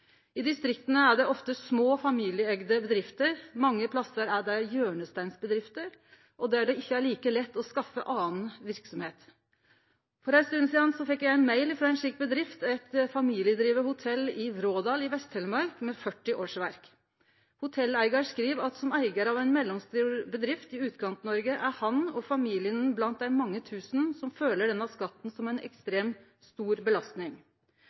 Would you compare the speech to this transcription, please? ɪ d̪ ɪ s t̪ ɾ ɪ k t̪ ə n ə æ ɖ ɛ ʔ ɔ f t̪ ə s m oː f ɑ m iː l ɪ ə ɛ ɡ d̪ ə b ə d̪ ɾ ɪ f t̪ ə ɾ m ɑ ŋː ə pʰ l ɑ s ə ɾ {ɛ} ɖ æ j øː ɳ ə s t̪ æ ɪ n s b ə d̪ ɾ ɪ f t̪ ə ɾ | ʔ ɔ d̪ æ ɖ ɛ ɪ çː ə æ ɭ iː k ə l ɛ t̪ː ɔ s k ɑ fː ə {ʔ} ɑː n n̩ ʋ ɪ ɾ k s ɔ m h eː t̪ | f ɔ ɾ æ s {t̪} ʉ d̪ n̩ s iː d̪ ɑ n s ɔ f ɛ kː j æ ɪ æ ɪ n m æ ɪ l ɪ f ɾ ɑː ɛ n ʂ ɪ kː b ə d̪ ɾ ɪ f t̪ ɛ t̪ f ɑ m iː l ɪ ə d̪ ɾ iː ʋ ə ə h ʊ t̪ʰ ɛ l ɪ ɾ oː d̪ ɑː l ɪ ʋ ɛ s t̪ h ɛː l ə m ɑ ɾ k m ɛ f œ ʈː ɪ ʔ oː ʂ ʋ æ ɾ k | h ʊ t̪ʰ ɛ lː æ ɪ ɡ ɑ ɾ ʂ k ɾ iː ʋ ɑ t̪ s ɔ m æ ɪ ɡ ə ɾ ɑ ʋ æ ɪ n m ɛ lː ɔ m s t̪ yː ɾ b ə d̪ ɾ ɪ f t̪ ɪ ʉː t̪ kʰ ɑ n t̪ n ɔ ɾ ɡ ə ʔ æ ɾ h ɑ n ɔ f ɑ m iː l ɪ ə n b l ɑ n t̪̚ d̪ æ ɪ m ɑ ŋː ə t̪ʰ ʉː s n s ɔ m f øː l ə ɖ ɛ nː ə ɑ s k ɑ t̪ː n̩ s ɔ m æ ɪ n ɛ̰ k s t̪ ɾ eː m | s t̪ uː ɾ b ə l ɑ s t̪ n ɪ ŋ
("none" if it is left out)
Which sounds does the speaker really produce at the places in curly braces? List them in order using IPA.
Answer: æ, ʔ, t̪

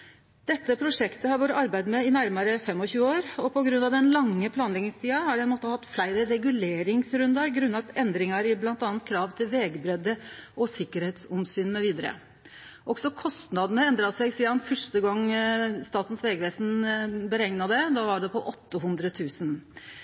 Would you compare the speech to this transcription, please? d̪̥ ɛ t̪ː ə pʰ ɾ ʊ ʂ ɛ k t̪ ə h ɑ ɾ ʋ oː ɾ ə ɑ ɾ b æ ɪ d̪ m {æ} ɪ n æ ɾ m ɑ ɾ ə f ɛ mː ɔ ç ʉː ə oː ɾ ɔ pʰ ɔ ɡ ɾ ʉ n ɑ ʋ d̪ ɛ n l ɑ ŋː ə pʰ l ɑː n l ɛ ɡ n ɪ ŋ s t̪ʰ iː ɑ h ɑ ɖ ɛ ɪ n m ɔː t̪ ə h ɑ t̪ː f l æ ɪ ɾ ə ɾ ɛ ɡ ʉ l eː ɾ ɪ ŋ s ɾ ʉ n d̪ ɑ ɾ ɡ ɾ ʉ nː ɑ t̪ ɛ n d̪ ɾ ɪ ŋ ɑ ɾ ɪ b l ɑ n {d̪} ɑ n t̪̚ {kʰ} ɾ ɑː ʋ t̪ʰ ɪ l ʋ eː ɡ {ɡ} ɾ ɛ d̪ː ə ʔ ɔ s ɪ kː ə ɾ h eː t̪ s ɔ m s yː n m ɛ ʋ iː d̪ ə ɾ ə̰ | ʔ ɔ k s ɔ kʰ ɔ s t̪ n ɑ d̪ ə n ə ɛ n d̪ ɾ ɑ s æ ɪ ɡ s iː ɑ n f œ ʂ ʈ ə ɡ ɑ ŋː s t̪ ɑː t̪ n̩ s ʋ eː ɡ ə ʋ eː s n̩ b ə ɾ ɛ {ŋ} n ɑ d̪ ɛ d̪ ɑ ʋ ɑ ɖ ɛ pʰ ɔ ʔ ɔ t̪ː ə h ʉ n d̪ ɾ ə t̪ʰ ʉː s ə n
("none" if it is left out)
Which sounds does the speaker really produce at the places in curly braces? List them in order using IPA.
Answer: ɛ, t̪, kʰ, b, ŋ

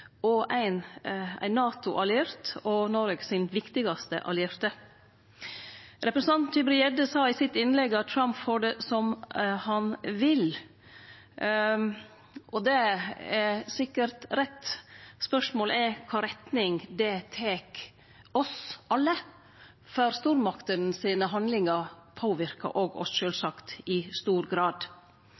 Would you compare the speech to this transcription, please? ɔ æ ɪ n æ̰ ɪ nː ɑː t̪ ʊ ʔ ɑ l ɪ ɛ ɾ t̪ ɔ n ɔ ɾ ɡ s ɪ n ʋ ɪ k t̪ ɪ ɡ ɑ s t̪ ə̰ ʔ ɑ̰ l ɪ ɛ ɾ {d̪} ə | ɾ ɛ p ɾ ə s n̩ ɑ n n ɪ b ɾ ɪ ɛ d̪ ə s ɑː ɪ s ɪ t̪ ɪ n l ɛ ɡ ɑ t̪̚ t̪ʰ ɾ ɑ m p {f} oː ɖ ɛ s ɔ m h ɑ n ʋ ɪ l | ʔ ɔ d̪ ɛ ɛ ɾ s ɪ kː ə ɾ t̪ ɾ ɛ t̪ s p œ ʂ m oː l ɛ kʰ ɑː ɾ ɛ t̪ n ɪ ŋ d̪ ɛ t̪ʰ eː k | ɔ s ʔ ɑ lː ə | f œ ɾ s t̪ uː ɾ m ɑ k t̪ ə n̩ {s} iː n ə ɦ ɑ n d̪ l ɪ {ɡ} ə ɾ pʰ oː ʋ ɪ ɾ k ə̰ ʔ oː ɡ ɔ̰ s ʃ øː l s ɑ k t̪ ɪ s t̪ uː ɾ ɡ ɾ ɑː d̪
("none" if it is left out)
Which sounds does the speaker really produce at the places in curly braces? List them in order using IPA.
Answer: t̪, f, s, ŋ

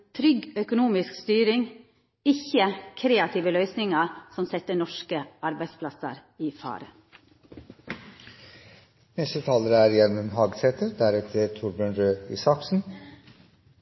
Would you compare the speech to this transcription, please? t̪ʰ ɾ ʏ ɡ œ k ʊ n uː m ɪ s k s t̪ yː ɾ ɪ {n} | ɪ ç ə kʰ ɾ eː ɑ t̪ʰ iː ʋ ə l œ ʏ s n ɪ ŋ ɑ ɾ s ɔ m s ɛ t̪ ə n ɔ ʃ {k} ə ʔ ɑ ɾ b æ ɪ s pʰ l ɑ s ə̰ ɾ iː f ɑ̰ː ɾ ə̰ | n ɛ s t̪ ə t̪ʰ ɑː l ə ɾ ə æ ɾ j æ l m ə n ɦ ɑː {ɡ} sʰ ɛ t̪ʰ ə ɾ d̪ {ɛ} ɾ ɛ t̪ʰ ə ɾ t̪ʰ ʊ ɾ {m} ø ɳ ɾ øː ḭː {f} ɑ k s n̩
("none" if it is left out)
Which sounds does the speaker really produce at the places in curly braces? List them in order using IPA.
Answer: ŋ, k, ɡ, æ, b, s

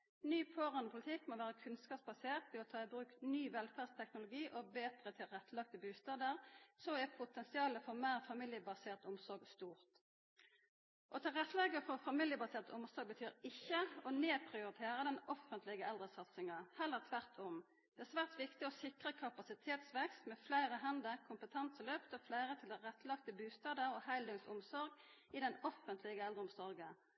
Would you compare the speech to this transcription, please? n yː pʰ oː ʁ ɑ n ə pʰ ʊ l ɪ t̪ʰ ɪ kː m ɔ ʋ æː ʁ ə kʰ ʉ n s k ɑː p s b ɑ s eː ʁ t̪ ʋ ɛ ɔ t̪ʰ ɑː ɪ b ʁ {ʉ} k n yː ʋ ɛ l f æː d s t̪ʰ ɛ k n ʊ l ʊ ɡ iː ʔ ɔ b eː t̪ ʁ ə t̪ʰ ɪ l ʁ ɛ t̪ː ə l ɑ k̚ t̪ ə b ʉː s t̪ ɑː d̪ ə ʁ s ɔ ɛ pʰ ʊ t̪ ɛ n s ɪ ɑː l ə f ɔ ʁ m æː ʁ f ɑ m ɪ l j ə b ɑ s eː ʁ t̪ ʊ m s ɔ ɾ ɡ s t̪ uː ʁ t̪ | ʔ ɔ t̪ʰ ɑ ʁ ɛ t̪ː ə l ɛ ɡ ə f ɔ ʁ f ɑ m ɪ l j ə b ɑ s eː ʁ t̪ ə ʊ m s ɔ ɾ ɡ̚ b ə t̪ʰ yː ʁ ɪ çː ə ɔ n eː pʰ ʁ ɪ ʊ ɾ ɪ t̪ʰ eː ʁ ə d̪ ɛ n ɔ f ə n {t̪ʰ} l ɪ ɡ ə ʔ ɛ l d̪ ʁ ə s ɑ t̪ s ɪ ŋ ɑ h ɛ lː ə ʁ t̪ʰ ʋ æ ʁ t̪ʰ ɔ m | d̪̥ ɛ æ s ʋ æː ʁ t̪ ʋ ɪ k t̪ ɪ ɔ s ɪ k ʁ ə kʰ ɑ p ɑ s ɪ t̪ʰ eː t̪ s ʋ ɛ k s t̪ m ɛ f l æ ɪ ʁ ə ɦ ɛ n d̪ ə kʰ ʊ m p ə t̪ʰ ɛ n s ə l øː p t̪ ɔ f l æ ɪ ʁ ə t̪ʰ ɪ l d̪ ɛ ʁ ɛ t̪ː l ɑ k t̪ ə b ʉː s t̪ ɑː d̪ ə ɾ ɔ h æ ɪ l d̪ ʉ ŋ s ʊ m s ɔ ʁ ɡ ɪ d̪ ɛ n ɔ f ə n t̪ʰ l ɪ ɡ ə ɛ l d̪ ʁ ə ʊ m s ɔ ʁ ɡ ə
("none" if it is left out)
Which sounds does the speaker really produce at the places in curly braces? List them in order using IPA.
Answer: ʉː, t̪

